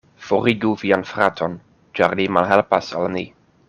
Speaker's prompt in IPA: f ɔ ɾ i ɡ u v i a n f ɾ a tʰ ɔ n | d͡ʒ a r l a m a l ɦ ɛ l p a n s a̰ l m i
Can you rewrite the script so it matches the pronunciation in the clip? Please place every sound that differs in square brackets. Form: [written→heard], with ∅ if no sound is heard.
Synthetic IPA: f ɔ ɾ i ɡ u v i a n f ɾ a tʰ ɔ n | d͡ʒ a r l [a→i] m a l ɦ ɛ l p a [n→∅] s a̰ l [m→n] i